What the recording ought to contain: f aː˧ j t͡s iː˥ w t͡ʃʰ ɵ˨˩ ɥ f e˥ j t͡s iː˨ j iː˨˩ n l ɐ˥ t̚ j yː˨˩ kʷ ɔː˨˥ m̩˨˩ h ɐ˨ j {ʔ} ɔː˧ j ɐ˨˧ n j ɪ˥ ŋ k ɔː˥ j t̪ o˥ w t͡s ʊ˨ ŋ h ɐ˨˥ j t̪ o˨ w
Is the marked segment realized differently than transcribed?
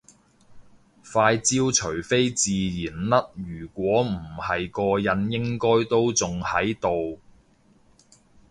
yes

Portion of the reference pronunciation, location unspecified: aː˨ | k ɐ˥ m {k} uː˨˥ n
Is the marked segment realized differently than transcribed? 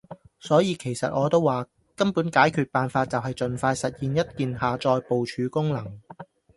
yes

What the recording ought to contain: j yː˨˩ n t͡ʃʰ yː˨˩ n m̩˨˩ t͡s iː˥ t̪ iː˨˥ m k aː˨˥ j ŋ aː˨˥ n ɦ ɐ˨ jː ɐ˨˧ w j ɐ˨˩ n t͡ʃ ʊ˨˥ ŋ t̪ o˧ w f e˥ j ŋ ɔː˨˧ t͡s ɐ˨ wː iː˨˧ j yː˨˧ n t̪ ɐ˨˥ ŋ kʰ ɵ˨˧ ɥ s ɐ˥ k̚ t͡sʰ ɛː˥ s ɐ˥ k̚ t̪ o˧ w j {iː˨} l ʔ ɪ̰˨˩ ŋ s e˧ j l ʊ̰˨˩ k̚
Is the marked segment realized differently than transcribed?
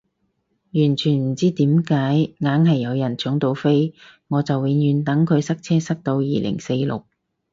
no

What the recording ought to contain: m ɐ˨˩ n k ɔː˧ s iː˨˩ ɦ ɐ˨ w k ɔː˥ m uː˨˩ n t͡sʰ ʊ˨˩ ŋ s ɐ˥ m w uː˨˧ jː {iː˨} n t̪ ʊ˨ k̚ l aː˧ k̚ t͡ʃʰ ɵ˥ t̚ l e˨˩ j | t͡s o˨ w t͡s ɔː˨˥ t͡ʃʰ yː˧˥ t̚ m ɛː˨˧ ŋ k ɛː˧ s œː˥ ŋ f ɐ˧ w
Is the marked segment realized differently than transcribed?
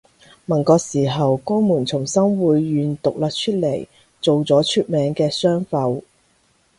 yes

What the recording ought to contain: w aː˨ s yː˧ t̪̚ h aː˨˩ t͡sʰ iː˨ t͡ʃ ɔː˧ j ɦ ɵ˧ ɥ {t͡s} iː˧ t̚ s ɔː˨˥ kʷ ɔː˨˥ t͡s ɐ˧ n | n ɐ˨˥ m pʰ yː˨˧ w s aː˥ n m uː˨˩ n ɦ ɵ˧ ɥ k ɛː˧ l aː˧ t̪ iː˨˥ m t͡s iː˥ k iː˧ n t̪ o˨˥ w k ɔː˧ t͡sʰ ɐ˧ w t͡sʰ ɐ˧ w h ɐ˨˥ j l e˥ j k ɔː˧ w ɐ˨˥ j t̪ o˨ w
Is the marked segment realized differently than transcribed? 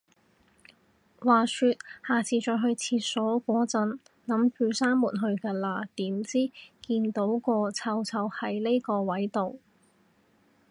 yes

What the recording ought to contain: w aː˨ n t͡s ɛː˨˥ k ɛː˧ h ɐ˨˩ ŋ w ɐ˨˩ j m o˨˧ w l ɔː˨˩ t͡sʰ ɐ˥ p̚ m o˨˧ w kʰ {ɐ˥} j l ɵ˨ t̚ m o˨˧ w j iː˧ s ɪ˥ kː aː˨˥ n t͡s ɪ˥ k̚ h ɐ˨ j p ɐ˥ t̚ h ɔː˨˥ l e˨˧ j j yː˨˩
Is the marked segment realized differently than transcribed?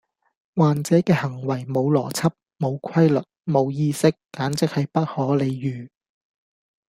no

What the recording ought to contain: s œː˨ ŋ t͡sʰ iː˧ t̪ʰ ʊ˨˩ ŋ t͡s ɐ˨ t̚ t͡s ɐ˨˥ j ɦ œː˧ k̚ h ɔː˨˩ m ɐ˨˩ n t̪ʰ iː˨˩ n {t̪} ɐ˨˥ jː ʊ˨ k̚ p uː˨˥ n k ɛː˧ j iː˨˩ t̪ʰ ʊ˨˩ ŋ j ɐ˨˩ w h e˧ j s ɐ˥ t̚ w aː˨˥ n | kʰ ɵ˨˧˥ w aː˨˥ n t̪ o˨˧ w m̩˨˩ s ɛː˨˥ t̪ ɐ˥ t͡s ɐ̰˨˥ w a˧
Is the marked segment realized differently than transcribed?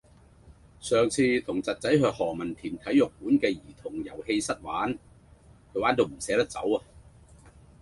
yes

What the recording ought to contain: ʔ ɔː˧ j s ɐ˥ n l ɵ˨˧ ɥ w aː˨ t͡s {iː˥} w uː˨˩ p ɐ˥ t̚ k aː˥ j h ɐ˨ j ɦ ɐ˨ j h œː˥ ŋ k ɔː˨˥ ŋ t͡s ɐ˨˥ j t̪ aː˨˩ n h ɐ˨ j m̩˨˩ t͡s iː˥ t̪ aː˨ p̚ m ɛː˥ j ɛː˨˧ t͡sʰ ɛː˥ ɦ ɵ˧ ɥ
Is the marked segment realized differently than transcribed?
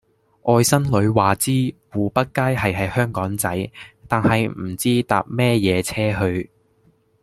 no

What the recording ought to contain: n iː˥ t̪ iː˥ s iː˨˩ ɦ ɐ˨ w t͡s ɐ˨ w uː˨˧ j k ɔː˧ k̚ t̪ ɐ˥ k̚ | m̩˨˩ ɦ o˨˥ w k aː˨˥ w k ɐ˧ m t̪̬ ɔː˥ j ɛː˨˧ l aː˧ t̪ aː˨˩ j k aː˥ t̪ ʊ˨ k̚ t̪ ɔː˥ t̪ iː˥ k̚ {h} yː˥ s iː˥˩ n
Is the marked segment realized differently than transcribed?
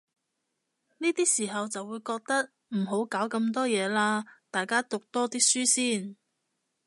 yes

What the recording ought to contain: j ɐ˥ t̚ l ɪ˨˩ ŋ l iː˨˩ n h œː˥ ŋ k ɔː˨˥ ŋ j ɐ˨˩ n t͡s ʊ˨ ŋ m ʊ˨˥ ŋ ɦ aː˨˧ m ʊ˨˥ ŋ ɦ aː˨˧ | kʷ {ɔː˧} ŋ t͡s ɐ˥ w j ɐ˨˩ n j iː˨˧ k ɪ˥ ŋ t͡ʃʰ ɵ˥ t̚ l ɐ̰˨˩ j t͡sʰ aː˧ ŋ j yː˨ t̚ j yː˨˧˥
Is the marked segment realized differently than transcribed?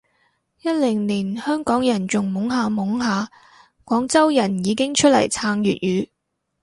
yes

